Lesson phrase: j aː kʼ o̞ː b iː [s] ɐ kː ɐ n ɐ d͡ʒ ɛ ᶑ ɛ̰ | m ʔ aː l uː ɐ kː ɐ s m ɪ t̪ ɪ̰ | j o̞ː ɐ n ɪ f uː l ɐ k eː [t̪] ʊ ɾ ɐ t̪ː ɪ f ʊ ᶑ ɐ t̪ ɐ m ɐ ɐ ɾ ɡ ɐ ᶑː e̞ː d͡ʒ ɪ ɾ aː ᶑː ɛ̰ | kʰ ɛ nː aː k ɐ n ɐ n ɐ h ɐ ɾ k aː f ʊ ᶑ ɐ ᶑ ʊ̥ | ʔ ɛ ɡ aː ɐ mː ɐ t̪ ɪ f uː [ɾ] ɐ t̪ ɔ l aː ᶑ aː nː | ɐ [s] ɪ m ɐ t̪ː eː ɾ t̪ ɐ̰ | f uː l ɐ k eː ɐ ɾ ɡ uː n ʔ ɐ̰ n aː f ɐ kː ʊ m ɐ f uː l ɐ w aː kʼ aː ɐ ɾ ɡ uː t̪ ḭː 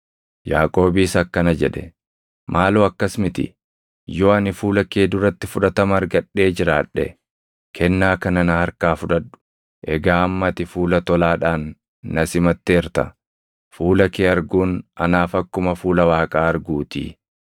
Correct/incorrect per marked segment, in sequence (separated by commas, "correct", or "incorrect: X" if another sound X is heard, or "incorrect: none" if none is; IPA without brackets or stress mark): correct, incorrect: d̪, incorrect: l, correct